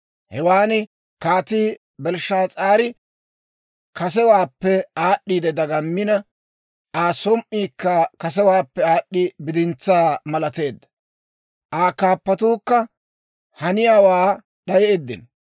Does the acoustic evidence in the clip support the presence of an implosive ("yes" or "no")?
yes